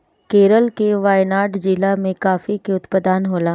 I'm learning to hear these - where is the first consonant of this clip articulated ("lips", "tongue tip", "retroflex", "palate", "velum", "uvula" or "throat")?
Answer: velum